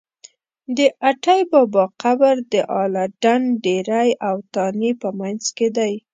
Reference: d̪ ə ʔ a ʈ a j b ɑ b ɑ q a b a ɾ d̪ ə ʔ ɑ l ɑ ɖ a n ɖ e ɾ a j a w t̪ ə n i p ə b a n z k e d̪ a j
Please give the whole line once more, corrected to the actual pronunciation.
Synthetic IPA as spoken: d̪ ə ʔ a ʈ a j b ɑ b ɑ q a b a ɾ d̪ ə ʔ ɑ l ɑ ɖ a n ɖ e ɾ a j a w t̪ ɑ n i p ə m a n z k e d̪ a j